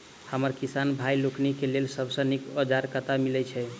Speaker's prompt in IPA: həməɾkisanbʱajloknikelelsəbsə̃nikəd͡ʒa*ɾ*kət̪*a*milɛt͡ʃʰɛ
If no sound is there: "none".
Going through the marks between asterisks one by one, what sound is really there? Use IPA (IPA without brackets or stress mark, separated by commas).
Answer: ɾ, a